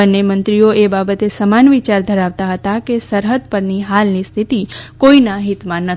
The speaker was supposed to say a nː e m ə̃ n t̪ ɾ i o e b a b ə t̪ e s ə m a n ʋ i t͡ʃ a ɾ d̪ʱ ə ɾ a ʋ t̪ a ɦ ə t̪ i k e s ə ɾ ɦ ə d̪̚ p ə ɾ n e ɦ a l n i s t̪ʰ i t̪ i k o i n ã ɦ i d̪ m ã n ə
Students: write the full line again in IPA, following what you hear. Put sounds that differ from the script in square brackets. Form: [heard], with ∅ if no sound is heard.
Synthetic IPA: [ə] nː e m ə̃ n t̪ ɾ i o e b a b ə t̪ e s ə m a n ʋ i t͡ʃ a ɾ d̪ʱ ə ɾ a ʋ t̪ a ɦ ə t̪ [a] k e s ə ɾ ɦ ə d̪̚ p ə ɾ n [i] ɦ a l n i s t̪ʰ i t̪ i k o i n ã ɦ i [t̪] m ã n ə

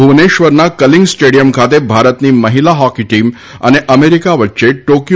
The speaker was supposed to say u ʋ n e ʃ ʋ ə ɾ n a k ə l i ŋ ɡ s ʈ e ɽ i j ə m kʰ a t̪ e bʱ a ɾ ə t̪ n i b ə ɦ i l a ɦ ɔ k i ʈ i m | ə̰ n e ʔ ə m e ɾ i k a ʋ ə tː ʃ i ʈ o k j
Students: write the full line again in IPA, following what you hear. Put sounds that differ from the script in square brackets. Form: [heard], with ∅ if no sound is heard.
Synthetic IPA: u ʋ n e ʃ ʋ ə ɾ n a k ə l i ŋ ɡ s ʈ e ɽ i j ə m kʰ a t̪ e bʱ a ɾ ə t̪ n i [m] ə ɦ i l a ɦ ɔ k i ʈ i m | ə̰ n e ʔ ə m e ɾ i k a ʋ ə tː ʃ [e] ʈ o k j

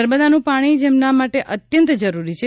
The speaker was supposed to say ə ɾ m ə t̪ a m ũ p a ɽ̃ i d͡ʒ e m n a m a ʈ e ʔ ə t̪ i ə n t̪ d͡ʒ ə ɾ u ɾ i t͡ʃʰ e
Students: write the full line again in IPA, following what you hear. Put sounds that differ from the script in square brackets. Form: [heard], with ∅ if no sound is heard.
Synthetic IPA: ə ɾ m ə [d̪] a [n] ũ p a ɽ̃ i d͡ʒ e m n a m a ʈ e ʔ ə t̪ [j] ə n t̪ d͡ʒ ə ɾ u ɾ i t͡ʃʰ e

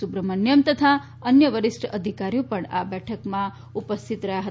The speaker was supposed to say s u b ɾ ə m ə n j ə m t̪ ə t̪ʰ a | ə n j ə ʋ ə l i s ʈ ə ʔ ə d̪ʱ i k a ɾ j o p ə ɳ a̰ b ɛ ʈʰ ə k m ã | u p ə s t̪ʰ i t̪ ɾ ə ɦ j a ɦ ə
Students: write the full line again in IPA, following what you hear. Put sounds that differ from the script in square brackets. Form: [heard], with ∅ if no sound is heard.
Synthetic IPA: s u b ɾ ə m ə n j ə m t̪ ə t̪ʰ a | ə n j ə ʋ ə [ɾ] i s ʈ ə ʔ ə d̪ʱ i k a ɾ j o p ə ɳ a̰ b ɛ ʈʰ ə k m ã | u p ə s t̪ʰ i t̪ ɾ ə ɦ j a ɦ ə

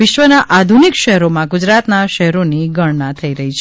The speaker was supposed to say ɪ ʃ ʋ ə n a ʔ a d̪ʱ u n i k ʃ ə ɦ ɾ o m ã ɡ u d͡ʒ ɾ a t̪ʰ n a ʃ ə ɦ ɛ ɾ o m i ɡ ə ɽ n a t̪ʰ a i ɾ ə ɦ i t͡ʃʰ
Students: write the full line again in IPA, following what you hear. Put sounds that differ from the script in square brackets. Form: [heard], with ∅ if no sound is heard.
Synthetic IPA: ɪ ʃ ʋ ə n a ʔ a d̪ʱ u n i k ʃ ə ɦ ɾ o m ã ɡ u d͡ʒ ɾ a [t̪] n a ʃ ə ɦ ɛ ɾ o [n] i ɡ ə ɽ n a t̪ʰ [ə] i ɾ ə ɦ i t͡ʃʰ

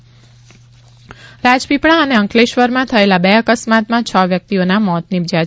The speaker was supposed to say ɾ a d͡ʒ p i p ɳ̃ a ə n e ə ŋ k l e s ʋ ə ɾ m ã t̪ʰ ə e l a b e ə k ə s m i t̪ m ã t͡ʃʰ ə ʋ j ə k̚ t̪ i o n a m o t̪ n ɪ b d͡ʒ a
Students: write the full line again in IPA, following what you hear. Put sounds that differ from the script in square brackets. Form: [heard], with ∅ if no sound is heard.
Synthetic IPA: ɾ a d͡ʒ p i p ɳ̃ a ə n e ə ŋ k l e [ʃ] ʋ ə ɾ m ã t̪ʰ ə e l a b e ə k ə s m [a] t̪ m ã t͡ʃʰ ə ʋ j ə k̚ t̪ i o n a m [ɔ] t̪ n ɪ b d͡ʒ a

